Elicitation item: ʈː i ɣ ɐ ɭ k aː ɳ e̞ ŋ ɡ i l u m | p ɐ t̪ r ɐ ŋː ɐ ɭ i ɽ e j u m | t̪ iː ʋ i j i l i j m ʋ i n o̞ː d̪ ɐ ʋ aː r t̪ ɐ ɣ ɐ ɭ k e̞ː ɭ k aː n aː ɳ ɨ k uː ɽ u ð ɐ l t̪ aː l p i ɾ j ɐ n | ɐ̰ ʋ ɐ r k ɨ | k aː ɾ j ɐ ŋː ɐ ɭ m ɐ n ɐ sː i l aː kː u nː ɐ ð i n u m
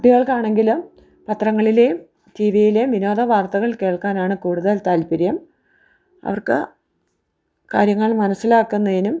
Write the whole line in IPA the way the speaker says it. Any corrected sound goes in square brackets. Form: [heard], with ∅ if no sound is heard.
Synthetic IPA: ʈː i ɣ ɐ ɭ k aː ɳ e̞ ŋ ɡ i l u m | p ɐ t̪ r ɐ ŋː ɐ ɭ i [l] e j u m | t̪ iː ʋ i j i l [e] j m ʋ i n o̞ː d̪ ɐ ʋ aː r t̪ ɐ ɣ ɐ ɭ k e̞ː ɭ k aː n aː ɳ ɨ k uː ɽ u ð ɐ l t̪ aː l p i ɾ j ɐ [m] | ɐ̰ ʋ ɐ r k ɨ | k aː ɾ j ɐ ŋː ɐ ɭ m ɐ n ɐ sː i l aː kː u nː ɐ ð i n u m